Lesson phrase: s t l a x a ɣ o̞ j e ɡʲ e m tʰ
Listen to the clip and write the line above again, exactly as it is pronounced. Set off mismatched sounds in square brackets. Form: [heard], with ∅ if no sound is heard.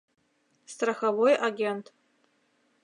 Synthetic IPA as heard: s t [r] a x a [v] o̞ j [a] ɡʲ e [n] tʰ